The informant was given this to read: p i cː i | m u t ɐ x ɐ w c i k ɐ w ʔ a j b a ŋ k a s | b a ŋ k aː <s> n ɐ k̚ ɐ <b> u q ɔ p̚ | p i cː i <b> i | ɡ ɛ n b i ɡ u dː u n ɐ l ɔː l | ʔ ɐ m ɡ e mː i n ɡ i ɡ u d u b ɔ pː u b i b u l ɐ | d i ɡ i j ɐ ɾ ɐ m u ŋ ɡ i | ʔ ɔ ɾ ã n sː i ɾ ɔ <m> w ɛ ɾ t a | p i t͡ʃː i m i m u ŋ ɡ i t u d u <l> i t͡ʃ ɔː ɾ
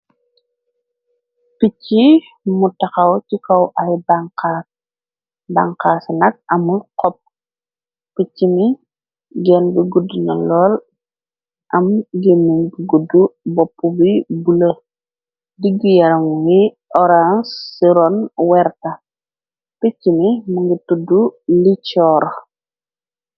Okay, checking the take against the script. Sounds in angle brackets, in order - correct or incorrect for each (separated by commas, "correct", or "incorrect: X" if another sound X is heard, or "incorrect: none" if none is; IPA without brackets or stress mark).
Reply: correct, incorrect: m, incorrect: m, incorrect: n, correct